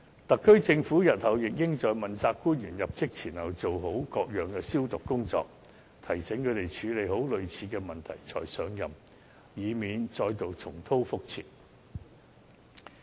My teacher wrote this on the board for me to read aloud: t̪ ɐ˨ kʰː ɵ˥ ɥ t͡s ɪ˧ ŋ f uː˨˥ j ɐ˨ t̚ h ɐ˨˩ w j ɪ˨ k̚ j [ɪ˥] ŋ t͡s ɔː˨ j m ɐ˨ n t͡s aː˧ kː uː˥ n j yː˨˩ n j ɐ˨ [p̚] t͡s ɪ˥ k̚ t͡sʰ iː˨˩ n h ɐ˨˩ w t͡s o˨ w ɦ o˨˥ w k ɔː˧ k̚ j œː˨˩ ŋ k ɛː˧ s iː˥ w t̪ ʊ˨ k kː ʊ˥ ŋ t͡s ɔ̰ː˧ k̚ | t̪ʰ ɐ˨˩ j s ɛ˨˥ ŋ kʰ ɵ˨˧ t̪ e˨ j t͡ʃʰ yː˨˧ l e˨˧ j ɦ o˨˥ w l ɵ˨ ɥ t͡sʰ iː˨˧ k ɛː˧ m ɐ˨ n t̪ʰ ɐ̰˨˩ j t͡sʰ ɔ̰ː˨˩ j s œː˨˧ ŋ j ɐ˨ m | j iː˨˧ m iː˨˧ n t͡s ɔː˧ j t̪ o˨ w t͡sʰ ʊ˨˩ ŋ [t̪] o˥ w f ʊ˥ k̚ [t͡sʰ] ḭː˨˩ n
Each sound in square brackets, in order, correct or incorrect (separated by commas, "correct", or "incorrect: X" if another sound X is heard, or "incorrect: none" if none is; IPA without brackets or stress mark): correct, correct, incorrect: t̪ʰ, correct